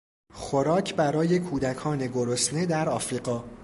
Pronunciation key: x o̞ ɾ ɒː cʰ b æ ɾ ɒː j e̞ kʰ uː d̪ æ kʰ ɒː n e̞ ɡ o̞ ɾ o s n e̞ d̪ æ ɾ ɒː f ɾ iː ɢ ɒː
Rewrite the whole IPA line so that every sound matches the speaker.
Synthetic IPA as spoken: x o̞ ɾ ɒː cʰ b æ ɾ ɒː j e̞ kʰ uː d̪ æ kʰ ɒː n e̞ ɡ o̞ ɾ o s n e̞ d̪ æ ɾ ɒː f ɾ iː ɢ ɒː